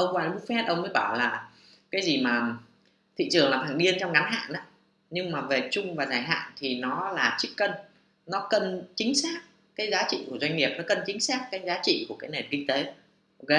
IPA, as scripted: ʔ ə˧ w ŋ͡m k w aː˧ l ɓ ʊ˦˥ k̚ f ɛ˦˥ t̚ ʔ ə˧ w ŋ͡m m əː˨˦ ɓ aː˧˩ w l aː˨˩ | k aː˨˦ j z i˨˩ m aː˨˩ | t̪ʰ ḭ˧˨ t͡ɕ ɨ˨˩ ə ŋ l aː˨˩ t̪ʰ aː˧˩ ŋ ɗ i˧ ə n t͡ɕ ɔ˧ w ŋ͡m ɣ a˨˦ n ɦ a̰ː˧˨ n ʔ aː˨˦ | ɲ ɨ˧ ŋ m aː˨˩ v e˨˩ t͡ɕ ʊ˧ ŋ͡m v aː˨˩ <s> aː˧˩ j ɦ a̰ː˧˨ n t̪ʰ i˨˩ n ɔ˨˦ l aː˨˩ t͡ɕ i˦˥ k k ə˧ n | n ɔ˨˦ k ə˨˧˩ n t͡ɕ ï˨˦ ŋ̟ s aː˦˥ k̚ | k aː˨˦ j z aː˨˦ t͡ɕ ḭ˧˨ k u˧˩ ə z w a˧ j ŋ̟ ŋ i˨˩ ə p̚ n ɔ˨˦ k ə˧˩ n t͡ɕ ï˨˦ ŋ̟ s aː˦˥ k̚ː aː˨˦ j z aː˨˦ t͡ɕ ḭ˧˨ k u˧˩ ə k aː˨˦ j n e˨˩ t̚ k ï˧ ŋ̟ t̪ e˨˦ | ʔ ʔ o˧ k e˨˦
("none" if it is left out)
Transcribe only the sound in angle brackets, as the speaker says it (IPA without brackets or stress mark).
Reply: z